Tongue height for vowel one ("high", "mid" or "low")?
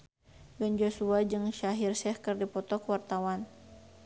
mid